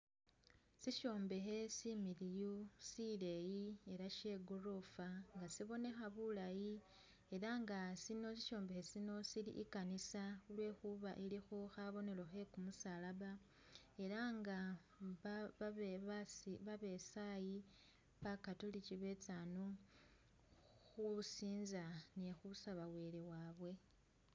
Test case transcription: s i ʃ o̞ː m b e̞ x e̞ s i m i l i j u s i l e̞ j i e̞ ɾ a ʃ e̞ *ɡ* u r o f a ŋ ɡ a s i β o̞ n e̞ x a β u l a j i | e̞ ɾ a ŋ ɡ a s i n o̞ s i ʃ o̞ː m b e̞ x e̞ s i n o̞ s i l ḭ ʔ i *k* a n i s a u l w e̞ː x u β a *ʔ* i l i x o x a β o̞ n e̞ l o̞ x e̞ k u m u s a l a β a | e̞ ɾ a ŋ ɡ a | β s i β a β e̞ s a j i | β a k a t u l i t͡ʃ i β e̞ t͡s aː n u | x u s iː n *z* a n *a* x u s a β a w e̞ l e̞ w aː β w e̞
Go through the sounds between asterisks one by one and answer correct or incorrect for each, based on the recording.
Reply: correct, correct, correct, correct, incorrect: e

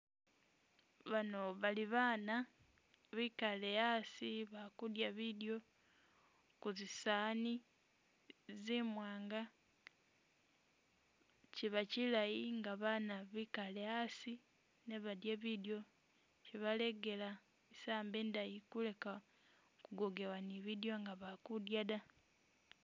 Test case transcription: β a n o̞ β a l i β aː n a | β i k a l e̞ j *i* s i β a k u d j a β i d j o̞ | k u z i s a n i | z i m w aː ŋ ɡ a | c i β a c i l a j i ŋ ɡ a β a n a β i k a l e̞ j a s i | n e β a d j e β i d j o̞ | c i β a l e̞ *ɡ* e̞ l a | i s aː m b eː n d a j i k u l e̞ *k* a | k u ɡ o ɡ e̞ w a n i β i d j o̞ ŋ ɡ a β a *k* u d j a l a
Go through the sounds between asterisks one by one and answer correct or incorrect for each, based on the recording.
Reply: incorrect: a, correct, correct, correct

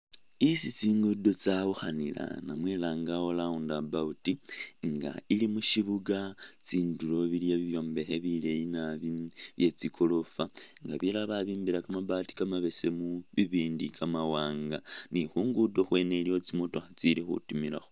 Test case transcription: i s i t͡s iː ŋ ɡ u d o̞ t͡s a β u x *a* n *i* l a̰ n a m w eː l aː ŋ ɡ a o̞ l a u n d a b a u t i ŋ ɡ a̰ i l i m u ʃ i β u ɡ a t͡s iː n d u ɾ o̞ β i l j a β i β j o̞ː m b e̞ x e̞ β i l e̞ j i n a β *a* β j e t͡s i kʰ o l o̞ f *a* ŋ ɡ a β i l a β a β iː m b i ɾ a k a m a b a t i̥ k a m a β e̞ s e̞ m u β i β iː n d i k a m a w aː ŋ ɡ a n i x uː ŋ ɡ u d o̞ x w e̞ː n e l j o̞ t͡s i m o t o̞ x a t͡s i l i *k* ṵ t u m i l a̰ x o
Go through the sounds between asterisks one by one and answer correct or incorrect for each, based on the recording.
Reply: correct, correct, incorrect: i, correct, incorrect: x

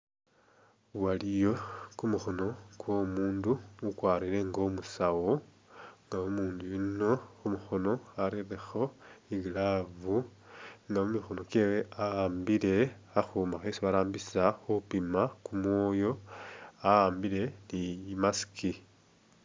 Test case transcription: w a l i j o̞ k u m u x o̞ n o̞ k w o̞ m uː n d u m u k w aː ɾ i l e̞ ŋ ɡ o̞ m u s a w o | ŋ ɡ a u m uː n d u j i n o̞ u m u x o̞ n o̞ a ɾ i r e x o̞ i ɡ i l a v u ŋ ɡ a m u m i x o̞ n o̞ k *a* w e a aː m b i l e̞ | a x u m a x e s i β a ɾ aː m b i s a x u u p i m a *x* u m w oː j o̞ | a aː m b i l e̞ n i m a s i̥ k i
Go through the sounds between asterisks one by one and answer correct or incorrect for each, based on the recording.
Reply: incorrect: e, incorrect: k

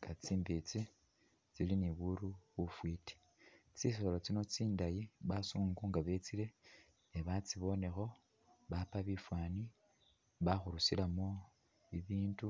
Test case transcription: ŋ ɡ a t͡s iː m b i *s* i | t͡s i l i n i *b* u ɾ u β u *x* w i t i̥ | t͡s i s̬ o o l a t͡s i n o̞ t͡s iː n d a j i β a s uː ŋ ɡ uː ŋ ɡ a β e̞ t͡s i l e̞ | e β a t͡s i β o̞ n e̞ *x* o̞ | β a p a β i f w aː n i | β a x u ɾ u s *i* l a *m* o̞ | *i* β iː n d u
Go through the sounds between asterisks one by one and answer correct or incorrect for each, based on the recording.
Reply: incorrect: t͡s, incorrect: β, incorrect: f, correct, correct, correct, correct

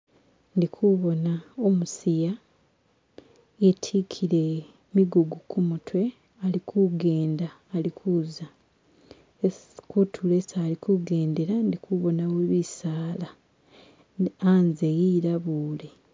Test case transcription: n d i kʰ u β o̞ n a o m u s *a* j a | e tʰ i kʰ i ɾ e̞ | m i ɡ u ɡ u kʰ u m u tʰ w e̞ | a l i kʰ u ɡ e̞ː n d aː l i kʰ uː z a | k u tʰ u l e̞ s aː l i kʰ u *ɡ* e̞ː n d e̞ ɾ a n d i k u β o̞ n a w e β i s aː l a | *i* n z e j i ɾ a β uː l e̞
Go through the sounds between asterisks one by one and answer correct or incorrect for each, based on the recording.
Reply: incorrect: i, correct, incorrect: a

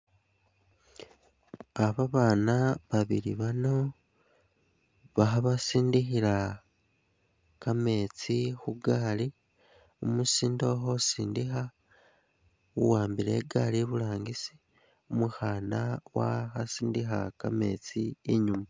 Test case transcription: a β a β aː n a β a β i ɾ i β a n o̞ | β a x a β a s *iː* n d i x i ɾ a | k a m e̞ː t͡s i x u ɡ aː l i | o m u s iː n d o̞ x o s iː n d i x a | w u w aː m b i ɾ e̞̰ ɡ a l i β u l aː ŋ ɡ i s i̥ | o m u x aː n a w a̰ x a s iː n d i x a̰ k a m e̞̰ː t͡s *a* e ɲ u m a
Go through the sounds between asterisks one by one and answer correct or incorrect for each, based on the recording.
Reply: correct, incorrect: i

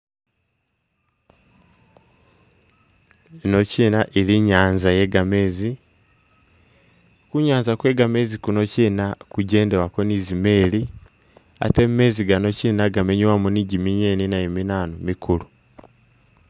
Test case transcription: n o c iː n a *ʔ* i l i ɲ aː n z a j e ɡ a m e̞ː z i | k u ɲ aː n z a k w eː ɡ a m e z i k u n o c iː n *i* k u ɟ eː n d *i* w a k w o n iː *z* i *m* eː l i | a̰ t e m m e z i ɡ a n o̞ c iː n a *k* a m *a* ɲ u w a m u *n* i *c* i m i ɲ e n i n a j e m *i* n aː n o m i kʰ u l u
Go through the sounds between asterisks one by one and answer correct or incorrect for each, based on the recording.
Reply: correct, incorrect: a, incorrect: e, correct, correct, incorrect: ɡ, incorrect: e, correct, incorrect: ɟ, correct

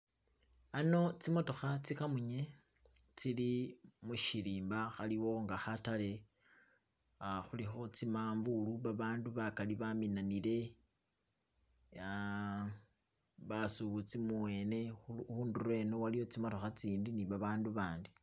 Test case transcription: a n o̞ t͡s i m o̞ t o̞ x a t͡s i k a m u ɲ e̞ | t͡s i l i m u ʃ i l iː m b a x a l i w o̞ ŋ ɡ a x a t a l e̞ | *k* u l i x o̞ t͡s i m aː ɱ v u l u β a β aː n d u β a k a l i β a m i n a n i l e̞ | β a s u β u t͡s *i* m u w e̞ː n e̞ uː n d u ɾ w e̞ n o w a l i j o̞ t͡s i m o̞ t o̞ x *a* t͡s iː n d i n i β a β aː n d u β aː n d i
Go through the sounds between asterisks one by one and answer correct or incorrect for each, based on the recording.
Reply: incorrect: x, correct, correct

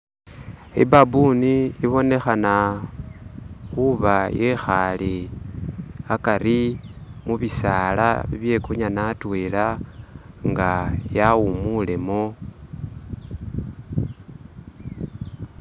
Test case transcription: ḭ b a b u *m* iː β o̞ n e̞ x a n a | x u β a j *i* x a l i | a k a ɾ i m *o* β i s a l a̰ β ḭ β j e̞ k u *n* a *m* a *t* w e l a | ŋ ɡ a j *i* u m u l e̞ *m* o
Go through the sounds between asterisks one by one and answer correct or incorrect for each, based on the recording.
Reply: incorrect: n, incorrect: e, incorrect: u, incorrect: ɲ, incorrect: n, correct, incorrect: a, correct

